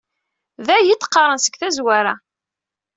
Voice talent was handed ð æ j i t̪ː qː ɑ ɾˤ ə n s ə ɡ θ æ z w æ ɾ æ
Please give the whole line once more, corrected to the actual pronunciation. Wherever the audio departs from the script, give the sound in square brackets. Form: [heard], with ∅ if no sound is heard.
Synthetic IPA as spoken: ð æ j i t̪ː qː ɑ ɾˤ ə n s ə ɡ θ æ z w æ ɾ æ